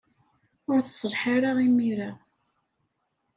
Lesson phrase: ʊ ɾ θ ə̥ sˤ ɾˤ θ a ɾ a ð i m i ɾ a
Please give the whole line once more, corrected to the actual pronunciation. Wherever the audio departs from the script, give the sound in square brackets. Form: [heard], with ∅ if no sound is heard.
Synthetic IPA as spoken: ʊ ɾ θ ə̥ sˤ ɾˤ [ħ] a ɾ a [ʁ] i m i ɾ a